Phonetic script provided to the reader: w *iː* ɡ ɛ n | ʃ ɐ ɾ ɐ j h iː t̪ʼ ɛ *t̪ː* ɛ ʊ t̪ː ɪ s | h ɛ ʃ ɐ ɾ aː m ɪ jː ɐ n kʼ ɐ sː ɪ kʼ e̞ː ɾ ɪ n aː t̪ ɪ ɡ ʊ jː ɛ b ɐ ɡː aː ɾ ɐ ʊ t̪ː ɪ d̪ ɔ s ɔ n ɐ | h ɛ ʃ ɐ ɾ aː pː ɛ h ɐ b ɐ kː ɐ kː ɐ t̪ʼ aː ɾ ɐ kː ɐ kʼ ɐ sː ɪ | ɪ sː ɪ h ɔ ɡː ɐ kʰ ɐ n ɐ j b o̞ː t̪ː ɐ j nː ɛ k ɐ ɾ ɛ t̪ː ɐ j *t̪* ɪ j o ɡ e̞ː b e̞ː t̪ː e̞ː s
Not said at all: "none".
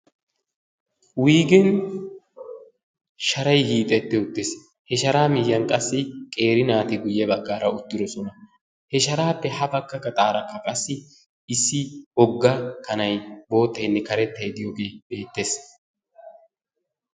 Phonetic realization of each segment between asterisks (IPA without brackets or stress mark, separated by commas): iː, t̪ː, d̪